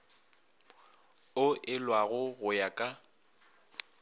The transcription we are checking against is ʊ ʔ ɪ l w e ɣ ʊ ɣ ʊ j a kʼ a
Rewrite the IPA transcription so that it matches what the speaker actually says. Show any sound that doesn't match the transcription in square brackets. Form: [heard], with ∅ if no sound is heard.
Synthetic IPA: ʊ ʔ ɪ l w [a] ɣ ʊ ɣ ʊ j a kʼ a